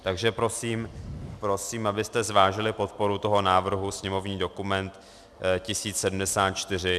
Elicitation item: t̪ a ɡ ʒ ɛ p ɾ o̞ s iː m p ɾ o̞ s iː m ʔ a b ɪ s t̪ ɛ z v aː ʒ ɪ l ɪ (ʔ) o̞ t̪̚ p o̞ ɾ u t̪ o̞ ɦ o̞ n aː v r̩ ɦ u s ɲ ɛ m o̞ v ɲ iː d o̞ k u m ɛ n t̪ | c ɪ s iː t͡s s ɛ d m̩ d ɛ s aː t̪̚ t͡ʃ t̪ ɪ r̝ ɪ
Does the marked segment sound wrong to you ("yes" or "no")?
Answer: yes